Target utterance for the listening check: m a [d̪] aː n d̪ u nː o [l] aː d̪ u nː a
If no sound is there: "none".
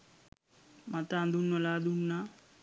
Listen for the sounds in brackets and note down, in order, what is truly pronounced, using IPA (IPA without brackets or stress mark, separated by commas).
t̪, l